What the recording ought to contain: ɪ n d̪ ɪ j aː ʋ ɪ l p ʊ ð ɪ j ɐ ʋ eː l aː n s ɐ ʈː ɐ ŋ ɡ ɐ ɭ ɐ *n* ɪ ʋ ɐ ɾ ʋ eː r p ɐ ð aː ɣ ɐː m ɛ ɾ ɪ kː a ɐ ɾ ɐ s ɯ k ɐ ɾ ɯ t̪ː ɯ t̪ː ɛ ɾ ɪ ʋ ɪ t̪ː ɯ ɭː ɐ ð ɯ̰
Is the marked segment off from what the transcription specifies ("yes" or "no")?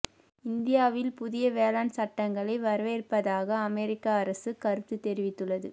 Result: yes